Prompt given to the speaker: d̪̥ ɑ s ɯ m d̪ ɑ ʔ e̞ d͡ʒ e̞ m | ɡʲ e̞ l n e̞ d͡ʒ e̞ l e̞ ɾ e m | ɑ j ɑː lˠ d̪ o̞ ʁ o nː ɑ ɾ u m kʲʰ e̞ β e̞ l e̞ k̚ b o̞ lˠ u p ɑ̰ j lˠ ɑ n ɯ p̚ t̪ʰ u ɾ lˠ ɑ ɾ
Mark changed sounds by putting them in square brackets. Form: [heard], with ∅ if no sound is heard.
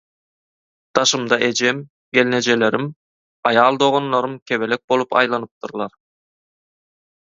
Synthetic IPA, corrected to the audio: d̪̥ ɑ [ʃ] ɯ m d̪ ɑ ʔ e̞ d͡ʒ e̞ m | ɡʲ e̞ l n e̞ d͡ʒ e̞ l e̞ ɾ [i] m | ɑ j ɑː lˠ d̪ o̞ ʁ o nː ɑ ɾ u m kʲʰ e̞ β e̞ l e̞ k̚ b o̞ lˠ u p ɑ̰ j lˠ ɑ n ɯ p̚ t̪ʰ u ɾ lˠ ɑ ɾ